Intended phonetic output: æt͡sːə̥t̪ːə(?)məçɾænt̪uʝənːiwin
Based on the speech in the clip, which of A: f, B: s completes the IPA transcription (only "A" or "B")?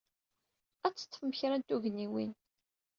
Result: A